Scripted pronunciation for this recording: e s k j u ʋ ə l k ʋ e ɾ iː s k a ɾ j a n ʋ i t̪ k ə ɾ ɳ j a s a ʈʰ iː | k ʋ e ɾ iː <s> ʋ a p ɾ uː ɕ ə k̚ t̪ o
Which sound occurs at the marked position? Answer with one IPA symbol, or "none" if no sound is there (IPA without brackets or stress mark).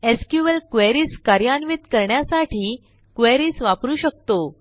s